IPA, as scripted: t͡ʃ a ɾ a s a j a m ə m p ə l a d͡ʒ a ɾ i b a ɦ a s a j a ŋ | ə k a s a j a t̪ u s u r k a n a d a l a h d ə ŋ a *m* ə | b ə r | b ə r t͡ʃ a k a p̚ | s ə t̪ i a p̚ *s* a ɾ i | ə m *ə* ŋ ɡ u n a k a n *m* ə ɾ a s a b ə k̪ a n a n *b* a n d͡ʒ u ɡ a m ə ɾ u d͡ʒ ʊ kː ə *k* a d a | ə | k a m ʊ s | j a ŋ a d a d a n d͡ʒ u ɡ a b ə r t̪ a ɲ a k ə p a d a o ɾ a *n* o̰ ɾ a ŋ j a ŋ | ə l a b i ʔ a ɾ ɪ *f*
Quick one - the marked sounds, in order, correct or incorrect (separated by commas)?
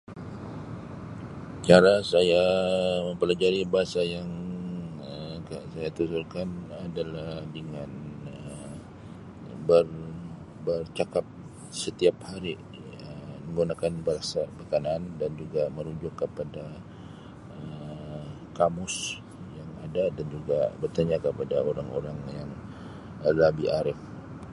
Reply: incorrect, incorrect, correct, incorrect, incorrect, incorrect, incorrect, correct